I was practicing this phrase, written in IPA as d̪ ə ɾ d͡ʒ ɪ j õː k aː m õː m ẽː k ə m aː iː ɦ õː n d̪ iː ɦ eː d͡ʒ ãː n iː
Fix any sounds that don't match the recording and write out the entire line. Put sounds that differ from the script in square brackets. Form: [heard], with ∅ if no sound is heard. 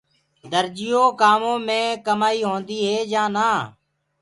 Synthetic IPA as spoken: d̪ ə ɾ d͡ʒ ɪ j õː k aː m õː m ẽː k ə m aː iː ɦ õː n d̪ iː ɦ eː d͡ʒ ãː n [aː]